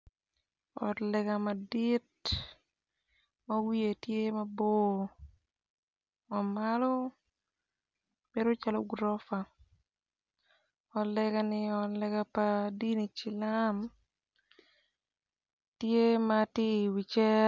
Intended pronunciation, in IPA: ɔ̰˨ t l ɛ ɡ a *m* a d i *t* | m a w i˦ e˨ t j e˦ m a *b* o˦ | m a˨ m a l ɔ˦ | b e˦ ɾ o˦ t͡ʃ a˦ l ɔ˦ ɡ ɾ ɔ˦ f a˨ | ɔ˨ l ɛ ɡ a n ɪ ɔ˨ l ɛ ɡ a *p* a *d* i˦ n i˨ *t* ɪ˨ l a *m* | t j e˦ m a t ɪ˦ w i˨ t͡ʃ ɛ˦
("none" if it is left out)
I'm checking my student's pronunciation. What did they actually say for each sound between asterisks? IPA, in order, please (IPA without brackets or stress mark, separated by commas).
m, t, b, p, d, t͡ʃ, m